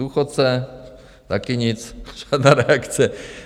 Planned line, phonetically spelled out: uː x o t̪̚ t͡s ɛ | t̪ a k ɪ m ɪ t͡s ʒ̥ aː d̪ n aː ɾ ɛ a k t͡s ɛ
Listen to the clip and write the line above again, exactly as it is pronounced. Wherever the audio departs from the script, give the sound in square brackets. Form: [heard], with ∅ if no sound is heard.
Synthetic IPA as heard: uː x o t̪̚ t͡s ɛ | t̪ a k ɪ [ɲ] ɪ t͡s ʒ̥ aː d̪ n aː ɾ ɛ a k t͡s ɛ